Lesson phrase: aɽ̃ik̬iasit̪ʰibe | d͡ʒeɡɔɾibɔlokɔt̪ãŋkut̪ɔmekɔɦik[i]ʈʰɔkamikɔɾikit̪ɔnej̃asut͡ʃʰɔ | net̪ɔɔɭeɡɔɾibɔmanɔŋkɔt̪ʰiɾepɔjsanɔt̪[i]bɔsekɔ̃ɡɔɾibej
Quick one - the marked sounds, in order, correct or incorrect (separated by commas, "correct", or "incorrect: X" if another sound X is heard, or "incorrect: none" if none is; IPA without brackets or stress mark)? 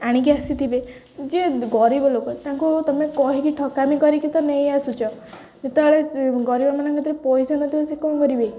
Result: correct, correct